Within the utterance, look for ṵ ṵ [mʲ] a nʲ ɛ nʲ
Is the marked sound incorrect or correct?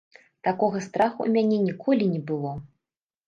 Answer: correct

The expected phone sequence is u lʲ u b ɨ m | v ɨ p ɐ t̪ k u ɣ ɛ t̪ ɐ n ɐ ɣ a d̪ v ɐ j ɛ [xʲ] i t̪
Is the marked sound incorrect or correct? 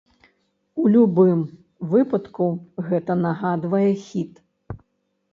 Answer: correct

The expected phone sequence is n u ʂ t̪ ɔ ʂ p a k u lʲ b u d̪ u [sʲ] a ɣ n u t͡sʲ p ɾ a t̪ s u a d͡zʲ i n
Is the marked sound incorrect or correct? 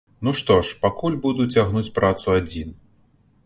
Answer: incorrect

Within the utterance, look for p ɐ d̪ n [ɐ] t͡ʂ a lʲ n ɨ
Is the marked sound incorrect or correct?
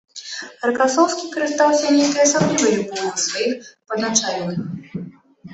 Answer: incorrect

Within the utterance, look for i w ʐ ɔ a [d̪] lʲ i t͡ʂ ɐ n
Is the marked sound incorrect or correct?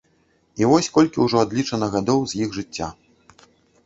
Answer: correct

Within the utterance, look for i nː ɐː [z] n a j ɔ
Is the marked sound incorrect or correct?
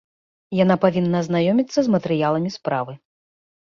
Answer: correct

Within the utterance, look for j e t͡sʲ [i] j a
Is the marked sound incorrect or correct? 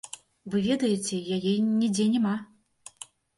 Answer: incorrect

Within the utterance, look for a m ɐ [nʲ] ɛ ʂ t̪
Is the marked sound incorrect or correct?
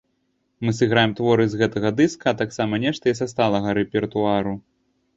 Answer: correct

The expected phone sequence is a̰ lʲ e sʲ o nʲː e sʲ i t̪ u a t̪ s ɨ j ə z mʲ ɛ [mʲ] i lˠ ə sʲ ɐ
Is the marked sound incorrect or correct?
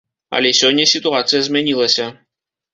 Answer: incorrect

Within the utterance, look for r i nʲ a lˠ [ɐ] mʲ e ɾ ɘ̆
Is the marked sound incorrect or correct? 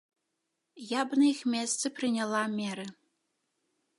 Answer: incorrect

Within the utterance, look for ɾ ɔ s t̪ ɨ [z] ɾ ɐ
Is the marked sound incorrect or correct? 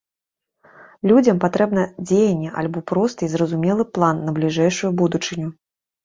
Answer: correct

